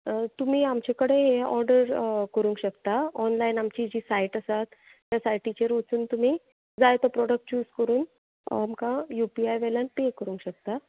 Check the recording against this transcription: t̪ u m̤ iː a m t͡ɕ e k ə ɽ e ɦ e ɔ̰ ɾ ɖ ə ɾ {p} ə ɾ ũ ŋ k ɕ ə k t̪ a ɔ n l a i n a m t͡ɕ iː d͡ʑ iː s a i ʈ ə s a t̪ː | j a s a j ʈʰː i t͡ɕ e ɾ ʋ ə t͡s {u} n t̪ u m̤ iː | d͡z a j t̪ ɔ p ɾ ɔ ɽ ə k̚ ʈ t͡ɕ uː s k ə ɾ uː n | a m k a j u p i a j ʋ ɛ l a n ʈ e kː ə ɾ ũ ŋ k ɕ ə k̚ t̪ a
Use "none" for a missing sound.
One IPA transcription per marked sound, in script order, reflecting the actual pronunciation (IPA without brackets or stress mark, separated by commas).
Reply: k, uː